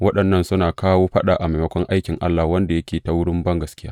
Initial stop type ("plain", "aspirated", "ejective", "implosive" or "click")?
implosive